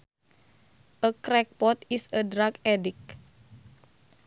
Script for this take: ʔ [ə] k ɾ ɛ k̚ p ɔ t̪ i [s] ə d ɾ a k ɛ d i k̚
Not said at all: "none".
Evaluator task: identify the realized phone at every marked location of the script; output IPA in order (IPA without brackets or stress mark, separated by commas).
ə, s